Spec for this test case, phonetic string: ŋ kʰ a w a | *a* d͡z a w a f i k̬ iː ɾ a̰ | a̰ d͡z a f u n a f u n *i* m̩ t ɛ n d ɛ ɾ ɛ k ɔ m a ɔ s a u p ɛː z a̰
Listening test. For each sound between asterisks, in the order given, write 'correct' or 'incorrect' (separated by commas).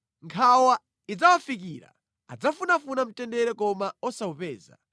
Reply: incorrect, incorrect